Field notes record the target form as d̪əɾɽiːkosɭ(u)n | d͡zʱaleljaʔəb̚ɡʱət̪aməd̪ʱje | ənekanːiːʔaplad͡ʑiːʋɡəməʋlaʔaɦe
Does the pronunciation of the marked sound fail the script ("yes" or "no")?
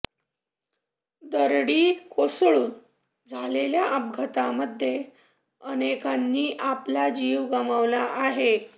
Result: yes